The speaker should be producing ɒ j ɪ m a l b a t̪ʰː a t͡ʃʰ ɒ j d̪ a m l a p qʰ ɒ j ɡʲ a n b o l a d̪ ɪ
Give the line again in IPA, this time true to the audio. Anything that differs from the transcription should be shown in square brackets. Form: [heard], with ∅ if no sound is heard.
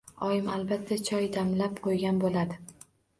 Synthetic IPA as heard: ɒ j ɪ m a l b a t̪ʰː a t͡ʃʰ ɒ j d̪ a m l a p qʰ [o] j ɡʲ a n b o l a d̪ ɪ

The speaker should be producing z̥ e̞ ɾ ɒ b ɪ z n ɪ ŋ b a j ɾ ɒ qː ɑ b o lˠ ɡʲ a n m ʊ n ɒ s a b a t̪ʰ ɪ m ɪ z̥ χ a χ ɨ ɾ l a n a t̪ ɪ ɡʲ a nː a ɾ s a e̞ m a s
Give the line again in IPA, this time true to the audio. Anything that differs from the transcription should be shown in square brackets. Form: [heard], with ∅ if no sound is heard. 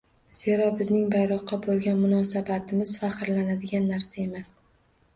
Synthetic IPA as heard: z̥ e̞ ɾ ɒ b ɪ z n ɪ ŋ b a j ɾ ɒ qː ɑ b o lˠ ɡʲ a n m ʊ n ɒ s a b a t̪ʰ ɪ m ɪ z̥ [f] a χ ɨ ɾ l a n a [d̪] ɪ ɡʲ a nː a ɾ s a e̞ m a s

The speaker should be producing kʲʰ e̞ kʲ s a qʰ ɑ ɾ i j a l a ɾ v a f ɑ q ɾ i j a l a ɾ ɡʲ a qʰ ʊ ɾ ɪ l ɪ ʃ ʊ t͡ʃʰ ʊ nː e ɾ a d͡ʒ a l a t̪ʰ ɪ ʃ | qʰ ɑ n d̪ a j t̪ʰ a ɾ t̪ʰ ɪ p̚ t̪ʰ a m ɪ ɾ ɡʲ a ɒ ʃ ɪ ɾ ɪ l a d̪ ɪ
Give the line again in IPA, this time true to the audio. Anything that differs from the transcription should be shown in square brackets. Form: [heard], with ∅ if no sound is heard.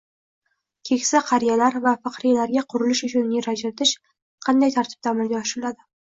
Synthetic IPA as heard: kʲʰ e̞ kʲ s a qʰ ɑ ɾ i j a l a ɾ v a f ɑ q ɾ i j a l a ɾ ɡʲ a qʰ ʊ ɾ ɪ l ɪ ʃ ʊ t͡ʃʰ ʊ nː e ɾ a d͡ʒ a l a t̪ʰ ɪ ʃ | qʰ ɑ n d̪ a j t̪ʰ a ɾ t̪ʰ ɪ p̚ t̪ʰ a m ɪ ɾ ɡʲ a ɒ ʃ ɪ ɾ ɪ l a d̪ ɪ

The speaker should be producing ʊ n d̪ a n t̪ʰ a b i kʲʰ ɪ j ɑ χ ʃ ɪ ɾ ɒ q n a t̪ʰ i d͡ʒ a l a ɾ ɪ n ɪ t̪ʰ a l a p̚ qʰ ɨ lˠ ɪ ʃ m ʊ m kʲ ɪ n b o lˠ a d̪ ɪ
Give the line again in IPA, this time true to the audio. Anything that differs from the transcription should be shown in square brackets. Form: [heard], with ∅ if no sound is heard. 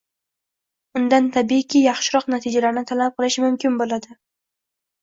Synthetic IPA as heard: ʊ n d̪ a n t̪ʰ a b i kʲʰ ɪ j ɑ χ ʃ ɪ ɾ ɒ q n a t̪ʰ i d͡ʒ a l a ɾ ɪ n ɪ t̪ʰ a l a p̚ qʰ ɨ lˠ ɪ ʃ m ʊ m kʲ ɪ n b o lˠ a d̪ ɪ

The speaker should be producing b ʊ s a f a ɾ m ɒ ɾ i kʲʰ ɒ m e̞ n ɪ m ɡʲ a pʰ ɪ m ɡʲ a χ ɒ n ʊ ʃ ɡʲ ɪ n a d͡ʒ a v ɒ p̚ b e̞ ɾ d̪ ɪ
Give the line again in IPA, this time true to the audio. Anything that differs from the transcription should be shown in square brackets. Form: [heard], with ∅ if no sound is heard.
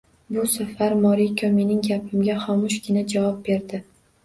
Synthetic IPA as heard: b ʊ s a f a ɾ m ɒ ɾ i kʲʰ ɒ m e̞ n ɪ [ŋ] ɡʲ a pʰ ɪ m ɡʲ a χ ɒ [m] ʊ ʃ ɡʲ ɪ n a d͡ʒ a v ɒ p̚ b e̞ ɾ d̪ ɪ

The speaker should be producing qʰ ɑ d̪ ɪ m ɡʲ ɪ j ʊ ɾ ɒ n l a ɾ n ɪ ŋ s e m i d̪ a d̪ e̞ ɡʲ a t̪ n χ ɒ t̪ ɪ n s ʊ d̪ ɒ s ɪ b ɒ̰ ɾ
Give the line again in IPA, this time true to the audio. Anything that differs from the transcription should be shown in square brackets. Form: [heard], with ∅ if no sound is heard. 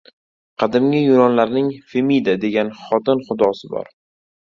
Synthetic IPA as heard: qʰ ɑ d̪ ɪ m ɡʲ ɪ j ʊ ɾ ɒ n l a ɾ n ɪ ŋ [f] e m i d̪ a d̪ e̞ ɡʲ a [∅] n χ ɒ t̪ ɪ n [χ] ʊ d̪ ɒ s ɪ b ɒ̰ ɾ

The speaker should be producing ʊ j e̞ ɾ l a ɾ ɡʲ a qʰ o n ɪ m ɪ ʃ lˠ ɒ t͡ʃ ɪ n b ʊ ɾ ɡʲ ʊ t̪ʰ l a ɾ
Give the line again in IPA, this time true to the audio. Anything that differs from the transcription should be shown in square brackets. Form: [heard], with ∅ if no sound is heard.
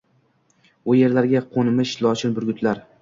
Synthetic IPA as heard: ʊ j e̞ ɾ l a ɾ ɡʲ a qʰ o n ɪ m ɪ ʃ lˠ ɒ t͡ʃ ɪ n b ʊ ɾ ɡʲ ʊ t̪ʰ l a ɾ

